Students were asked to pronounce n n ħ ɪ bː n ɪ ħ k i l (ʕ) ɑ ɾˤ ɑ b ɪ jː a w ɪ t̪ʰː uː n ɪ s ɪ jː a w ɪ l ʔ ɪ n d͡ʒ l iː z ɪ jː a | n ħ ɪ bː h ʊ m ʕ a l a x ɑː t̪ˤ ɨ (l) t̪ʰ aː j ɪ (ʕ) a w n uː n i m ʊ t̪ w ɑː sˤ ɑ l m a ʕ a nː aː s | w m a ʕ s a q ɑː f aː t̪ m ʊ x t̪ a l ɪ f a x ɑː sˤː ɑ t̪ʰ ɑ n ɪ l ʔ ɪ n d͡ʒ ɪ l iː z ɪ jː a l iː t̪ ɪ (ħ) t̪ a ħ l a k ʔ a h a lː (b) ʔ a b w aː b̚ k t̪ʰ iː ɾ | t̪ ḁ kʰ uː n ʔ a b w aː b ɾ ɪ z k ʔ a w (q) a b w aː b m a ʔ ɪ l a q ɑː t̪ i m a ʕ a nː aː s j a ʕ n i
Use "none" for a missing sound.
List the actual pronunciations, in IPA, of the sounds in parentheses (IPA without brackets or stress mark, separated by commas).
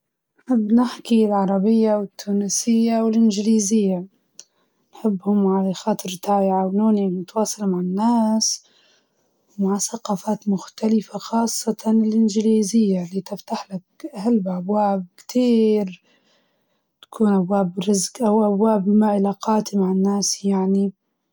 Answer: ʕ, ɾ, ʕ, f, b, ʔ